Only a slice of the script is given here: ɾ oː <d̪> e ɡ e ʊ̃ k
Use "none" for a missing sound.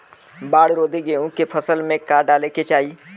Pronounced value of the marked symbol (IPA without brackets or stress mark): d̪